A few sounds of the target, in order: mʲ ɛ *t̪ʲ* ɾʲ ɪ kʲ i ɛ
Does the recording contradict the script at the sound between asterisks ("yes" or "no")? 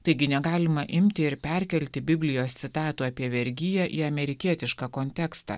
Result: yes